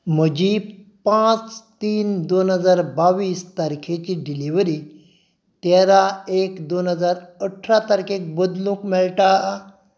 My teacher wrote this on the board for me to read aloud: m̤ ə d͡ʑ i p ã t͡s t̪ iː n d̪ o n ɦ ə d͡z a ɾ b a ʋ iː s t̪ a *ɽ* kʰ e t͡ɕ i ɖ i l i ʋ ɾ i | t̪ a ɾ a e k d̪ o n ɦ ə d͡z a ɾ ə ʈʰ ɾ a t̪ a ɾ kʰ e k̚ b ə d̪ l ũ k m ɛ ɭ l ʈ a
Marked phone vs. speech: incorrect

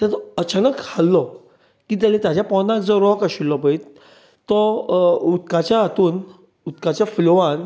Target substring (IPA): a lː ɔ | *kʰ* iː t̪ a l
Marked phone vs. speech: incorrect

